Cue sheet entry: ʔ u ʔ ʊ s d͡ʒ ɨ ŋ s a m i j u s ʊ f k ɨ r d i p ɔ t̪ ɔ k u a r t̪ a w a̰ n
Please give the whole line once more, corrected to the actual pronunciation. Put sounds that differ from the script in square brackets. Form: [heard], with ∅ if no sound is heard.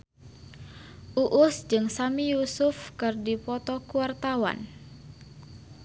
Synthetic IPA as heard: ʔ u ʔ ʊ s d͡ʒ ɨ ŋ s a m i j u s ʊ f k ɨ r d i p ɔ t̪ ɔ k u a r t̪ a w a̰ n